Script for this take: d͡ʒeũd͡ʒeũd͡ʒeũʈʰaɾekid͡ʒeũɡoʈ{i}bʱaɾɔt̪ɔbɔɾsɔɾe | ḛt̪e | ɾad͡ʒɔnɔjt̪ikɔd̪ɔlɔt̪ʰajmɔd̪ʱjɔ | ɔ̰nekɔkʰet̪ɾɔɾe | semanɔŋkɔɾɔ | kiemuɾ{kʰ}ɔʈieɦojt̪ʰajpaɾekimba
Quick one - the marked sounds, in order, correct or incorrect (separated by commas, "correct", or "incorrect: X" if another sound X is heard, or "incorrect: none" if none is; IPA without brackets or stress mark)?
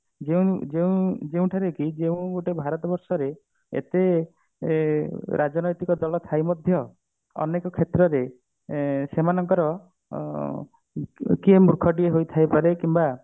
incorrect: e, correct